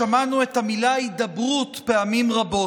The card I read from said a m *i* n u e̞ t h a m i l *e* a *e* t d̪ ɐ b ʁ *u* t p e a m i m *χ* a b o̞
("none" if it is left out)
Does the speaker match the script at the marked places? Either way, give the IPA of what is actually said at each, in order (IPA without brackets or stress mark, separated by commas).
a, a, i, u, ʁ